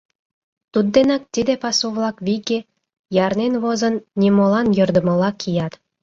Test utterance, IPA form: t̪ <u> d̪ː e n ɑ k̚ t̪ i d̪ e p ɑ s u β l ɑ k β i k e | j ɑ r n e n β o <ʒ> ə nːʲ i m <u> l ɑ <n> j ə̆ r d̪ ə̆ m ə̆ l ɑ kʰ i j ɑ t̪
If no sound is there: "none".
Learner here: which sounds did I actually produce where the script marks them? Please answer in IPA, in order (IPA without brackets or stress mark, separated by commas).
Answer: u, z, o, n